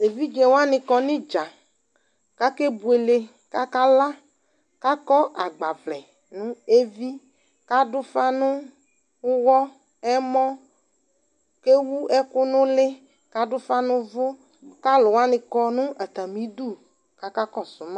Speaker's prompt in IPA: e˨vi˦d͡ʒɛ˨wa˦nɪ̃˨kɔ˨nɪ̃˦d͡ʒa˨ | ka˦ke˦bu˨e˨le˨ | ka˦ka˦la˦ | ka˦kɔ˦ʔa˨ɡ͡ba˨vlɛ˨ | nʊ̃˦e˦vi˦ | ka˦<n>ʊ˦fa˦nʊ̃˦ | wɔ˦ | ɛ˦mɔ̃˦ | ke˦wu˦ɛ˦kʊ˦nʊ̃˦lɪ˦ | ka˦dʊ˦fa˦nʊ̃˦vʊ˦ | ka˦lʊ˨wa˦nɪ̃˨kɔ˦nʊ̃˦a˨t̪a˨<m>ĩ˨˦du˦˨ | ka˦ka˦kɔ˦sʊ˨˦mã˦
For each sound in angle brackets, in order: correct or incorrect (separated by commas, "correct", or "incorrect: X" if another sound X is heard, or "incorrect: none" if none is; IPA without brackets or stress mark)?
incorrect: d, correct